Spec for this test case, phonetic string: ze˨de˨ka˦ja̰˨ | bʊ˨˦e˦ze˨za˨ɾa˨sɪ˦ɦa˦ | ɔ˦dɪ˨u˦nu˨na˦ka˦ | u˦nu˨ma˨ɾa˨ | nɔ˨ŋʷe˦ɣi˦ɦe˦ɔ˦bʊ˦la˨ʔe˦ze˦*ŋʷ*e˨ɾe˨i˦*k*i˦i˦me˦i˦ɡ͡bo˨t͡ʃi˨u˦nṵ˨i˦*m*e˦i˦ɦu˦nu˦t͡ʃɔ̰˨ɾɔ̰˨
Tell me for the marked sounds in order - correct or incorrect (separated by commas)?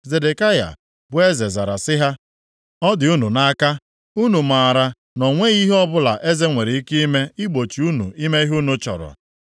correct, correct, correct